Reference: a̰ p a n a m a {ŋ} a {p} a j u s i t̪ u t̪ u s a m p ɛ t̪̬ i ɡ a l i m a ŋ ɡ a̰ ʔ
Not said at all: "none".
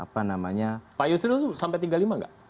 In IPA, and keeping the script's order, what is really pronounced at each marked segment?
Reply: ɲ, p

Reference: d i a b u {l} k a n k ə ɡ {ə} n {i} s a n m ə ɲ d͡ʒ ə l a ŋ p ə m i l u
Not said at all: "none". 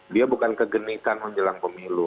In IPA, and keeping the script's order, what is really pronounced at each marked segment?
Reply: none, ə, i

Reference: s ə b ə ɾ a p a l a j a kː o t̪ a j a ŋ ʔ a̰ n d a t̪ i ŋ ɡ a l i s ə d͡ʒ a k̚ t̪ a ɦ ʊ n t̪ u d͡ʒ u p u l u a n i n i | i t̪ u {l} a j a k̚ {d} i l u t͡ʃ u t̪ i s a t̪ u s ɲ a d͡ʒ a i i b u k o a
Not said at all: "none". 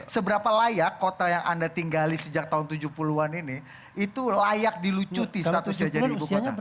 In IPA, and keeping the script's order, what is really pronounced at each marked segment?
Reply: l, d

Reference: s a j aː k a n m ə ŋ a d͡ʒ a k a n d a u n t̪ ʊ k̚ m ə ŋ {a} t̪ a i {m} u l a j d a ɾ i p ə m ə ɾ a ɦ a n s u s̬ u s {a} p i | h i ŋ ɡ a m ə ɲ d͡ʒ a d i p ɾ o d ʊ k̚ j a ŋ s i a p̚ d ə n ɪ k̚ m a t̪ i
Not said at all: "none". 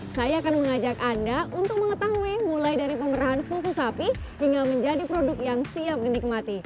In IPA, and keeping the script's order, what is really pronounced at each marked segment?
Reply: ə, m, a

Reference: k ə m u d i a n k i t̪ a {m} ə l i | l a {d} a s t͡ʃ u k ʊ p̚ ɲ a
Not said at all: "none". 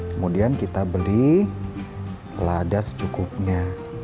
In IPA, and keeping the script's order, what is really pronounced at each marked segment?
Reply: b, d

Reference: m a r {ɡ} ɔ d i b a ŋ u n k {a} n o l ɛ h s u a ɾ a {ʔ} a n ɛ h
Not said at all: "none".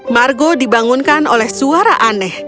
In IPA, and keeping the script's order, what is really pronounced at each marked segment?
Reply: ɡ, a, ʔ

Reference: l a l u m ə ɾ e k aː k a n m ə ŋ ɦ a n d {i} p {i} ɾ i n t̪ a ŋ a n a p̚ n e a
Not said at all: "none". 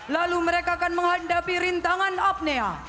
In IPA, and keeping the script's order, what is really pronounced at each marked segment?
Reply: a, i

